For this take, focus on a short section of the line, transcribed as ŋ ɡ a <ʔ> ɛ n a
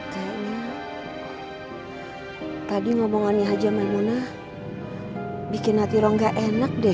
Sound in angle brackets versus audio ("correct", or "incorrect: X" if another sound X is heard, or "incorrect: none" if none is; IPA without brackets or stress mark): correct